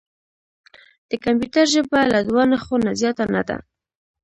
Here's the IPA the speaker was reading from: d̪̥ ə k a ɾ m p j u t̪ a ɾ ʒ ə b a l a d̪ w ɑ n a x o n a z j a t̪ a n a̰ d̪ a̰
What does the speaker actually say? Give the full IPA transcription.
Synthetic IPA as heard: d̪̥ ə k a m p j u t̪ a ɾ ʒ ə b a l a d̪ w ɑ n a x o n a z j ɑ t̪ a n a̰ d̪ a̰